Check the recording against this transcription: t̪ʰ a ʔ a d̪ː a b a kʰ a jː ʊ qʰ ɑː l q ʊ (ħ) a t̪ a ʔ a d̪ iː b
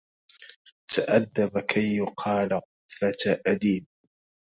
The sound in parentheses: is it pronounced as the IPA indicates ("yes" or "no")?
no